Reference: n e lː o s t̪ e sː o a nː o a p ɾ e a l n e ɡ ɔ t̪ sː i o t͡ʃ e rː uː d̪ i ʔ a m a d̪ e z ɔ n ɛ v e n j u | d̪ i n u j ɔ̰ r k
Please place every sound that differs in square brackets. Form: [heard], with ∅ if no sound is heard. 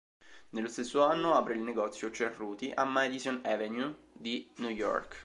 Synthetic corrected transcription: n e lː o s t̪ e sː o a nː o a p ɾ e [i] l n e ɡ ɔ t̪ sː [j] o t͡ʃ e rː uː [t̪] i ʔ a m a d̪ [i] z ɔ n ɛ v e n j u | d̪ i n u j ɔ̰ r k

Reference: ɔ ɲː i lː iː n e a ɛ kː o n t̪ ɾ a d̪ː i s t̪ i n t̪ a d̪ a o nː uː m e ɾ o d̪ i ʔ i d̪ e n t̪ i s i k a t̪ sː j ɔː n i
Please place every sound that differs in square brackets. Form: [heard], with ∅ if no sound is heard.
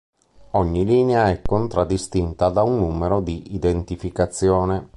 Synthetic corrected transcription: ɔ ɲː i [l] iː n e a ɛ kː o n t̪ ɾ a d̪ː i s t̪ i n t̪ a d̪ a [u] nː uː m e ɾ o d̪ i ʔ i d̪ e n t̪ i [f] i k a t̪ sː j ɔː n [e]

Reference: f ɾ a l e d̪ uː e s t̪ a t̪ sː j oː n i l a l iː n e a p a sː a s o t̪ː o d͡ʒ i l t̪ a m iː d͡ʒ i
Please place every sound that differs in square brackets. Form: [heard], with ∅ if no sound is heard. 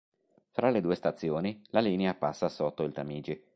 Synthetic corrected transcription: f ɾ a l e d̪ uː e s t̪ a t̪ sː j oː n i l a l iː n e a p a sː a s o t̪ː o [∅] i l t̪ a m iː d͡ʒ i

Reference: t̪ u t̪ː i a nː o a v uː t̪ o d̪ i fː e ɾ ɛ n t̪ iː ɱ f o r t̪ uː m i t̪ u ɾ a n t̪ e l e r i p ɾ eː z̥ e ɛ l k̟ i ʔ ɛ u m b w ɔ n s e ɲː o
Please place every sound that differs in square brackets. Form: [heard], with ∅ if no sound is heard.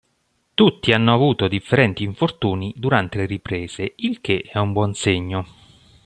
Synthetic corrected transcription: t̪ u t̪ː i a nː o a v uː t̪ o d̪ i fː e ɾ ɛ n t̪ iː ɱ f o r t̪ uː [n] i [d̪] u ɾ a n t̪ e l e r i p ɾ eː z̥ e [i] l k̟ [e] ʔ ɛ u m b w ɔ n s e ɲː o

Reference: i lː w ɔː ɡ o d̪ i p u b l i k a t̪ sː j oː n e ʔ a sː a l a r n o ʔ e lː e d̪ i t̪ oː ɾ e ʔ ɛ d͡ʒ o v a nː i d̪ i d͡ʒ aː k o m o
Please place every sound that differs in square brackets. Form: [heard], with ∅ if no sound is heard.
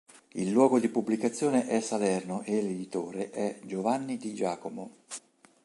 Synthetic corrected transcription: i lː w ɔː ɡ o d̪ i p u b l i k a t̪ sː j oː n e ʔ [ɛ] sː a l [ɛ] r n o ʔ e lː e d̪ i t̪ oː ɾ e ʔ ɛ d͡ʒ o v a nː i d̪ i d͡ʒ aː k o m o

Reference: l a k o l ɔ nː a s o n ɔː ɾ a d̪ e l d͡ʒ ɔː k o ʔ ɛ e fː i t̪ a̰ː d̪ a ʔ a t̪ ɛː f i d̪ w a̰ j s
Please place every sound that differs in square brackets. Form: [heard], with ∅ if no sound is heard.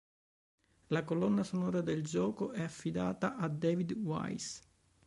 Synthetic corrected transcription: l a k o l ɔ nː a s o n ɔː ɾ a d̪ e l d͡ʒ ɔː k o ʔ ɛ [a] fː i [d̪] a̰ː [t̪] a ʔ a [d̪] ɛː [v] i d̪ w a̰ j s

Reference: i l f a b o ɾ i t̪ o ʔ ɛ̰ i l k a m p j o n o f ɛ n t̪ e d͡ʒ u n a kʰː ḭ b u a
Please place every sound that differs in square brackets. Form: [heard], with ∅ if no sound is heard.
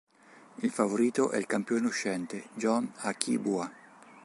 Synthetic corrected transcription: i l f a [v] o ɾ [iː] t̪ o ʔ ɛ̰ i l k a m p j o n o [ʃ] ɛ n t̪ e d͡ʒ [ɔ] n a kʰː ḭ b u a

